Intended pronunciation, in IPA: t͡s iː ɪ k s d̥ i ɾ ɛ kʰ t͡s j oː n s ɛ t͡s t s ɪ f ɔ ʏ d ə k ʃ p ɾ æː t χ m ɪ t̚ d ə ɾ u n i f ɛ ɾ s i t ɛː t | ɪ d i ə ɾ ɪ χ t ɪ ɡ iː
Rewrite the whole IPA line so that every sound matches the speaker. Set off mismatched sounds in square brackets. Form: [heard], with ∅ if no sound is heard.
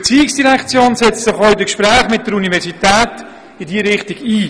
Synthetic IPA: t͡s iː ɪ k s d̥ i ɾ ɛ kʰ t͡s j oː n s ɛ t͡s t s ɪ [χ] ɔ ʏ d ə k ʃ p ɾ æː [∅] χ m ɪ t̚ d ə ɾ u n i [v] ɛ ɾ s i t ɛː t | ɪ d i ə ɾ ɪ χ t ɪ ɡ iː